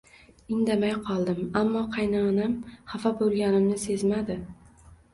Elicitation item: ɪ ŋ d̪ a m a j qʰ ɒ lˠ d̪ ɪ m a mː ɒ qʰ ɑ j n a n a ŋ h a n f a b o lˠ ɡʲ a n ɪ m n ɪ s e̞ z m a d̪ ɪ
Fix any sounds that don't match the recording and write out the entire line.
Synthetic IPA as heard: ɪ ŋ d̪ a m a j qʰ ɒ lˠ d̪ ɪ m a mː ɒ qʰ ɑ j n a n a m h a f a b o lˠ ɡʲ a n ɪ m n ɪ s e̞ z m a d̪ ɪ